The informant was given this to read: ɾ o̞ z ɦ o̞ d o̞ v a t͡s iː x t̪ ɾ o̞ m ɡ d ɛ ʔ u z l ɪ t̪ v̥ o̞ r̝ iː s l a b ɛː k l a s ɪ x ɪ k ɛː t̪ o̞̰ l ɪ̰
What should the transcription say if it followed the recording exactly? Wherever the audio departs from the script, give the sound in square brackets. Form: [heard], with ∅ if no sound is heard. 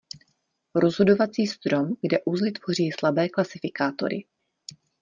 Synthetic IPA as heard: ɾ o̞ z ɦ o̞ d o̞ v a t͡s iː [s] t̪ ɾ o̞ m ɡ d ɛ ʔ u z l ɪ t̪ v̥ o̞ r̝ iː s l a b ɛː k l a s ɪ [f] ɪ k [aː] t̪ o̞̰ [ɾ] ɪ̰